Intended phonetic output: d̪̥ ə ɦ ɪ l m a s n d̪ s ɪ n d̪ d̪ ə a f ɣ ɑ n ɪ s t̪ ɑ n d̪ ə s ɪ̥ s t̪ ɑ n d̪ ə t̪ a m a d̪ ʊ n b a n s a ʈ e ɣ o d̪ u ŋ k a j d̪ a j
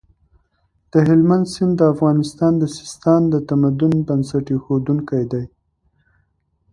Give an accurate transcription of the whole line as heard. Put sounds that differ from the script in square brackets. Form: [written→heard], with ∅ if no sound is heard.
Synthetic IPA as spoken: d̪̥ ə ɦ ɪ l m a [s→∅] n d̪ s ɪ n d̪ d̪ ə a f ɣ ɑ n ɪ s t̪ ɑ n d̪ ə s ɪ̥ s t̪ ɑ n d̪ ə t̪ a m a d̪ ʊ n b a n s a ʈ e [ɣ→x] o d̪ u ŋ k a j d̪ a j

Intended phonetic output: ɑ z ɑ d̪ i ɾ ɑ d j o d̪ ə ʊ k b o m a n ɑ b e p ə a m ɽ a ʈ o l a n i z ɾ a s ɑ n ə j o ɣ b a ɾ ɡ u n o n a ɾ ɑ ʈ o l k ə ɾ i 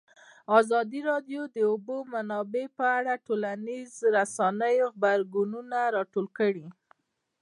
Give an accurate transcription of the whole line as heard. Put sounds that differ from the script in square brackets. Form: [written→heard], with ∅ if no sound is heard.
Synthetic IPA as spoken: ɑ z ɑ d̪ i ɾ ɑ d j o d̪ ə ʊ [k→∅] b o m a n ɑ b e p ə a [m→∅] ɽ a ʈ o l a n i z ɾ a s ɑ n ə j o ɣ b a ɾ ɡ u n [o→u] n a ɾ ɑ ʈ o l k ə [ɾ→ɽ] i

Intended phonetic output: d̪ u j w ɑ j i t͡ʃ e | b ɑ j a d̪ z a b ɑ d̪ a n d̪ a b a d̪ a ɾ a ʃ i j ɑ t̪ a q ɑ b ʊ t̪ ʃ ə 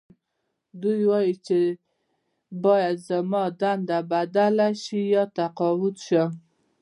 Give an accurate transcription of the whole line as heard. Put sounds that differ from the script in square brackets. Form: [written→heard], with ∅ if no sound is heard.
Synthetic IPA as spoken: d̪ u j w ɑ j i t͡ʃ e | b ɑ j a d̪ z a [b→m] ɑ d̪ a n d̪ a b a d̪ a [ɾ→l] a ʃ i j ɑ t̪ a q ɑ [b→w] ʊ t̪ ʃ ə

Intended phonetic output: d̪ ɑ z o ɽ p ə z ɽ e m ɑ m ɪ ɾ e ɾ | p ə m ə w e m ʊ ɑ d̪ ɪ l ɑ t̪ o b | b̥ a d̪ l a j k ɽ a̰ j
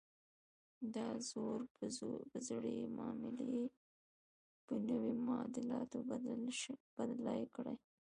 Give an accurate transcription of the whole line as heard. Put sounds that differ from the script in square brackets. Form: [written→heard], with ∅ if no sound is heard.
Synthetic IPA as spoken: d̪ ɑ z o [ɽ→ɾ] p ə z ɽ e m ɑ m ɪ [ɾ→l] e [ɾ→∅] | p ə [m→n] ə w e m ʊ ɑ d̪ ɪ l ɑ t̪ o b | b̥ a d̪ l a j k ɽ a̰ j

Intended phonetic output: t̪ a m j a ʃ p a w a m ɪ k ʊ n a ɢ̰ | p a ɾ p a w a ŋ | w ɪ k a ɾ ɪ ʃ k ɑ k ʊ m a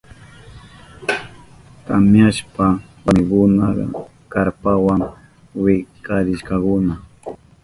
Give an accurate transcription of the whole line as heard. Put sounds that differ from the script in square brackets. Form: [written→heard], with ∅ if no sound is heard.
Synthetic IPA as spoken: t̪ a m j a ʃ p a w a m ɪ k ʊ n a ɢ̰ | [p→k] a ɾ p a w a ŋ | w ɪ k a ɾ ɪ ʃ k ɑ k ʊ [m→n] a

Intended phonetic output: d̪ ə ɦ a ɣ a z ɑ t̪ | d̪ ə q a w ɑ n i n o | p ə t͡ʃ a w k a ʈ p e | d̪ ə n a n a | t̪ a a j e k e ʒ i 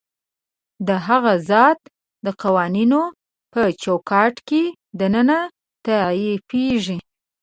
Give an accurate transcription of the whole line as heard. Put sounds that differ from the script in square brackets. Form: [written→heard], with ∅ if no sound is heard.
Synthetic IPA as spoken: d̪ ə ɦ a ɣ a z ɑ t̪ | d̪ ə q a w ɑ n i n o | p ə t͡ʃ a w k [a→ɑ] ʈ [p→k] e | d̪ ə n [a→ə] n a | t̪ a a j e [k→p] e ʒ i

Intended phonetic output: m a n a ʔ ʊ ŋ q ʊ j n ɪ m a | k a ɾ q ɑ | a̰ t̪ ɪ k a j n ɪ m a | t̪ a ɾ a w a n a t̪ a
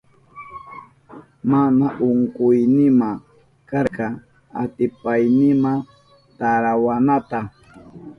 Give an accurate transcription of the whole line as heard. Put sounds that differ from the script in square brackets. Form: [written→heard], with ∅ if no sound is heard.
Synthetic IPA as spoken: m a n a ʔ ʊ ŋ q ʊ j n ɪ m a | k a ɾ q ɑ | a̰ t̪ ɪ [k→p] a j n ɪ m a | t̪ a ɾ a w a n a t̪ a

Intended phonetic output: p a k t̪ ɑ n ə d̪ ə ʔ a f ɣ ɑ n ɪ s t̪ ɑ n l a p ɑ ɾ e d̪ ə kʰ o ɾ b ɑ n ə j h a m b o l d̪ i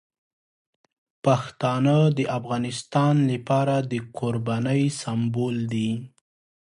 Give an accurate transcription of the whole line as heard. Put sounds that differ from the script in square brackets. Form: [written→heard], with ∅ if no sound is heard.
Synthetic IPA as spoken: p a [k→x] t̪ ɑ n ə d̪ ə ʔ a f ɣ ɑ n ɪ s t̪ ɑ n l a p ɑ ɾ [e→a] d̪ ə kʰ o ɾ b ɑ n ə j [h→s] a m b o l d̪ i

